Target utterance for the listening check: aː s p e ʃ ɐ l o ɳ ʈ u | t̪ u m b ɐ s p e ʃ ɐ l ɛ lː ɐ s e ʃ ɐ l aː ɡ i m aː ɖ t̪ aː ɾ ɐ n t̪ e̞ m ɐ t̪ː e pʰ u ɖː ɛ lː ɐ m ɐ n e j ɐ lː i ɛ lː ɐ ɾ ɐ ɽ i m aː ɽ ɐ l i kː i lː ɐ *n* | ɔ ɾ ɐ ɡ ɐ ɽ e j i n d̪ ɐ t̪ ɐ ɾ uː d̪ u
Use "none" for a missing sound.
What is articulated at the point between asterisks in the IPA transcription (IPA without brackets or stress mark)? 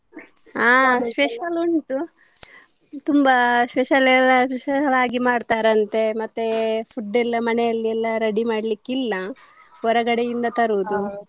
none